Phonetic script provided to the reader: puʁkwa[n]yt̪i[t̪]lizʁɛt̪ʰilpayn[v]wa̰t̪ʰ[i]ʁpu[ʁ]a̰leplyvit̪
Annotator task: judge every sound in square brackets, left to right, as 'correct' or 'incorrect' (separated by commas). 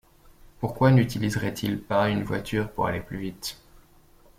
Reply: correct, incorrect, correct, incorrect, correct